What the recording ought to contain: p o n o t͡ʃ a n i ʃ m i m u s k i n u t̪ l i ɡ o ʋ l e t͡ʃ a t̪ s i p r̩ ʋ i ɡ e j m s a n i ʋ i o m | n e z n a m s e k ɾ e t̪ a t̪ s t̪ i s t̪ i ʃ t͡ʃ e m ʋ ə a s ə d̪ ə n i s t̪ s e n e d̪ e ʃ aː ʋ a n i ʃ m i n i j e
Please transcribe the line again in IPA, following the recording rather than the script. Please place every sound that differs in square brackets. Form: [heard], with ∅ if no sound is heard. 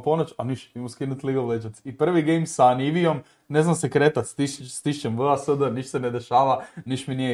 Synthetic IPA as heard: p o n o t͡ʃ a n i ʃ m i m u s k i n u t̪ l i ɡ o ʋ l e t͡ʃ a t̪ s i p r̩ ʋ i ɡ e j m s a n i ʋ i o m | n e z n a m s e k ɾ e t̪ a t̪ s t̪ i s t̪ i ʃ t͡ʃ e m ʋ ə a s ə d̪ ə n i [ʃ] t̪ s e n e d̪ e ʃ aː ʋ a n i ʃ m i n i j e